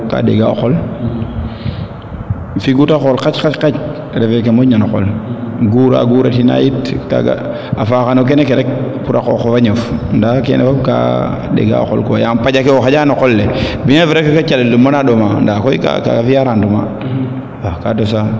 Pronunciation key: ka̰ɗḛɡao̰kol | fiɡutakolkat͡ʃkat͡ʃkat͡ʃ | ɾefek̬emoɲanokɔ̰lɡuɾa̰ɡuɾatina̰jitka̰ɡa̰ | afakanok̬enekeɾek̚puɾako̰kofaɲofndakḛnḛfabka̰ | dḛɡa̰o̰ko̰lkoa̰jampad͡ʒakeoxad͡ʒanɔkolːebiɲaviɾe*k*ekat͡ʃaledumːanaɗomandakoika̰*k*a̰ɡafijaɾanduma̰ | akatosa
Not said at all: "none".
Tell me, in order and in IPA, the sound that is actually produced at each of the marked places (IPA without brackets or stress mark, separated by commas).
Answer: k, k